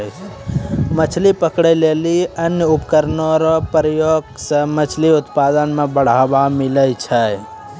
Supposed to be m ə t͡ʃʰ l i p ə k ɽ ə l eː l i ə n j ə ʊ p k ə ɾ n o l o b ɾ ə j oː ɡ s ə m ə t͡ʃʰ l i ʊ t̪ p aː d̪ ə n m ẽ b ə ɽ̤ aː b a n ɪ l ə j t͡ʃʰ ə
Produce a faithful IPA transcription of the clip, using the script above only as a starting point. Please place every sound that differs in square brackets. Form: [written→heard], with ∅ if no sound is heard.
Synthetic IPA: m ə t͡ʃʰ l i p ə k ɽ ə l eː l i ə n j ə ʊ p k ə ɾ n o [l→ɾ] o [b→p] ɾ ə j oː ɡ s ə m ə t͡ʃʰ l i ʊ t̪ p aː d̪ ə n m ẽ b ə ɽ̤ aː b a [n→m] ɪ l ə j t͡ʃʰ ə